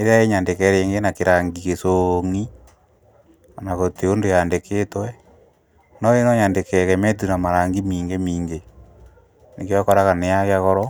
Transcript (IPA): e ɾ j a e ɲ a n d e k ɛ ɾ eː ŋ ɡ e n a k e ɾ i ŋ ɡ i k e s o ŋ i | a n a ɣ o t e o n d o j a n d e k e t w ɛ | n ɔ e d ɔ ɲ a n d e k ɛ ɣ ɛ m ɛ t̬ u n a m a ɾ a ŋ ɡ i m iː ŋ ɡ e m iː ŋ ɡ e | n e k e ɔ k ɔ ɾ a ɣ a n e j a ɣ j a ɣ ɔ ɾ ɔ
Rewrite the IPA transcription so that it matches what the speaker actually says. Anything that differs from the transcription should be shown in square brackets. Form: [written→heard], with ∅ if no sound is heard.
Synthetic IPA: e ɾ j a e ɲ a n d e k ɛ ɾ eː ŋ ɡ e n a k e ɾ [i→a] ŋ ɡ i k e s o ŋ i | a n a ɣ o t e o n d o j a n d e k e t w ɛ | n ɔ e [d→n] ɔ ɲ a n d e k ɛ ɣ ɛ m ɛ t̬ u n a m a ɾ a ŋ ɡ i m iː ŋ ɡ e m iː ŋ ɡ e | n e k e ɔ k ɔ ɾ a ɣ a n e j a ɣ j a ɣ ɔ ɾ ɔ